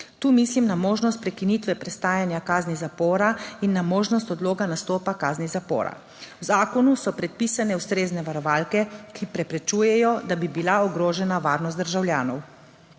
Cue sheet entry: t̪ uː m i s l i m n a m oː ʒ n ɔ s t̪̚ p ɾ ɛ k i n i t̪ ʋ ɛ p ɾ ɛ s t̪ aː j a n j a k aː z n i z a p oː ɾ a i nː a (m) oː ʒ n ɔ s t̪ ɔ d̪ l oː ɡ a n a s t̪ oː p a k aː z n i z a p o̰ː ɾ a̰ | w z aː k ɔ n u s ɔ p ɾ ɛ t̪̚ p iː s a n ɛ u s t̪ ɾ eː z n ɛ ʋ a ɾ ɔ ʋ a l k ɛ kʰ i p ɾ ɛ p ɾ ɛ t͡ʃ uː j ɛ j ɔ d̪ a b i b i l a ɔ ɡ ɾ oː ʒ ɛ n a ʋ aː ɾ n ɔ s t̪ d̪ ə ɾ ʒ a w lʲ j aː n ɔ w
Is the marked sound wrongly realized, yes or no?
no